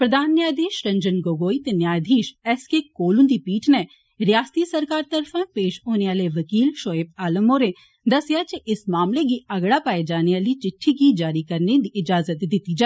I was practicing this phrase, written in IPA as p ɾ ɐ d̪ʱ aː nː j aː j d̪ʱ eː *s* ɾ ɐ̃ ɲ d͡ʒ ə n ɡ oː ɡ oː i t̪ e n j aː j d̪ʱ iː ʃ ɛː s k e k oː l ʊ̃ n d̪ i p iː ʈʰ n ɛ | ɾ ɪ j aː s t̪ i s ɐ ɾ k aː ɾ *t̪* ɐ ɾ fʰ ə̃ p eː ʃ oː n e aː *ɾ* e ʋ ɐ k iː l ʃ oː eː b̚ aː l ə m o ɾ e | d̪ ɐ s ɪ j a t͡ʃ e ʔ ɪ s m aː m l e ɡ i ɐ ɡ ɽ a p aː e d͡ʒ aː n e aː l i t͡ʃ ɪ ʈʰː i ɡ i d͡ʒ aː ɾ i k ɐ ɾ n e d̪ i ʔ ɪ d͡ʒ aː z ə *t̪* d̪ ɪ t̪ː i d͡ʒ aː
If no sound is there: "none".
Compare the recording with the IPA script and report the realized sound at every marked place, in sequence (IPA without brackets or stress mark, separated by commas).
ʃ, t̪, l, t̪